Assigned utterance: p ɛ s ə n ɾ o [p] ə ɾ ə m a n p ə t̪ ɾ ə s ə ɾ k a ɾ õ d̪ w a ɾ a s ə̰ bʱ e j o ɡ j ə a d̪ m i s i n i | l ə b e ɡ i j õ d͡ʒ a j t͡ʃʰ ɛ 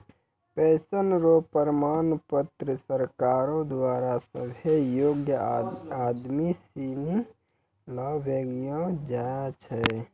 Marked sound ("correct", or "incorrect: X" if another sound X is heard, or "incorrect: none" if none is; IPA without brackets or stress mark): correct